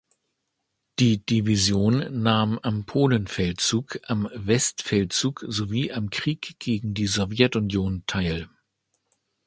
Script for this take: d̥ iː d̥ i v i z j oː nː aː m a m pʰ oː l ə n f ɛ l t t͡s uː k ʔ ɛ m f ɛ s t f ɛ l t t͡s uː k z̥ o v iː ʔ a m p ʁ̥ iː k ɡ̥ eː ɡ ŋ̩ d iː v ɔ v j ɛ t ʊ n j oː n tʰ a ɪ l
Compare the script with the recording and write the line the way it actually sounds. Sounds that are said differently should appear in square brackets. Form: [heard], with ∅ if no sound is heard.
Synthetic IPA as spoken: d̥ iː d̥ i v i z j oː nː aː m a m pʰ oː l ə n f ɛ l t t͡s uː k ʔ [a] m [v] ɛ s t f ɛ l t t͡s uː k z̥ o v iː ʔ a m [k] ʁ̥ iː k ɡ̥ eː ɡ ŋ̩ d iː [z] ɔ v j ɛ t ʊ n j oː n tʰ a ɪ l